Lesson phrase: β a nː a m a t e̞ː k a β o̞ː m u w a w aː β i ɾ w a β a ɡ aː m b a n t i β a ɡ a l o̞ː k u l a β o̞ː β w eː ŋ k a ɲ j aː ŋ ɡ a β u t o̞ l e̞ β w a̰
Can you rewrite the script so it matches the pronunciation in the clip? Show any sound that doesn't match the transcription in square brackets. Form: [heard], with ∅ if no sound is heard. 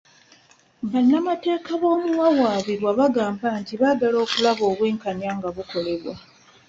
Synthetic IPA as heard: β a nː a m a t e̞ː k a β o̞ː m u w a w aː β i ɾ w a β a ɡ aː m b a n t i β a ɡ a l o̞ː k u l a β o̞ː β w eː ŋ k a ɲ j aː ŋ ɡ a β u [k] o̞ l e̞ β w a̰